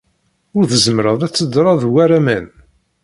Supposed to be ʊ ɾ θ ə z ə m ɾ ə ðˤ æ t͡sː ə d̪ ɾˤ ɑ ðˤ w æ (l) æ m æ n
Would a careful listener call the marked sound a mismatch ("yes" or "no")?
yes